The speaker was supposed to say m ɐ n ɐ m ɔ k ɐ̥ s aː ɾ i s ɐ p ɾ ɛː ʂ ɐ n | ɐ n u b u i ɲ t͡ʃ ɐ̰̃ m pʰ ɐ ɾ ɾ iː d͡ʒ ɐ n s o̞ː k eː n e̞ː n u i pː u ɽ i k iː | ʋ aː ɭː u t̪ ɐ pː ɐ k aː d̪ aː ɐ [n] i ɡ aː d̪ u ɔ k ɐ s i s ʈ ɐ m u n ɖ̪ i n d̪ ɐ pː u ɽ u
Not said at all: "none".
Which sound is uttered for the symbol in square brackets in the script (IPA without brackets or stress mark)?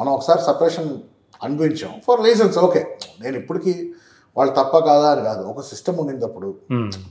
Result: n